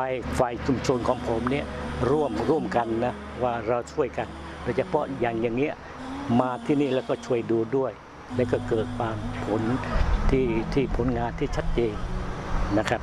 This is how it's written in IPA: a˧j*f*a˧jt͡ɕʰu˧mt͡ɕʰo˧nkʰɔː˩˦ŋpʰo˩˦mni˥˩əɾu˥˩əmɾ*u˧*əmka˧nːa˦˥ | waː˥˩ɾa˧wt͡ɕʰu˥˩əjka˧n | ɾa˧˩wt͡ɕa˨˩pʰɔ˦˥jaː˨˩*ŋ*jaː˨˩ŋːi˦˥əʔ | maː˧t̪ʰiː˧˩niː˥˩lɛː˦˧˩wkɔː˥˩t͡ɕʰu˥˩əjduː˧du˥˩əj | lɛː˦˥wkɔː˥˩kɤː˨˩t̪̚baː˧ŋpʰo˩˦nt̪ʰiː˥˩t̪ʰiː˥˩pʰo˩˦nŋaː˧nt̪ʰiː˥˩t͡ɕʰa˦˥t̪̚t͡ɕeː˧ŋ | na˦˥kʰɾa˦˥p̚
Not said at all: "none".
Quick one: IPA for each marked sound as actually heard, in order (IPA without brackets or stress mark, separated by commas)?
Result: f, u˥˩, ŋ